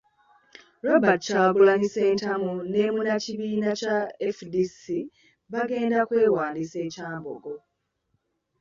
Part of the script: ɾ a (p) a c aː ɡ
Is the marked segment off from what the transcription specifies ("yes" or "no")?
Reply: yes